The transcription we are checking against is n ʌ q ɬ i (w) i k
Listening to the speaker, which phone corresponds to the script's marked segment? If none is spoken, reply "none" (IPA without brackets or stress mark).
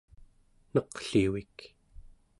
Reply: w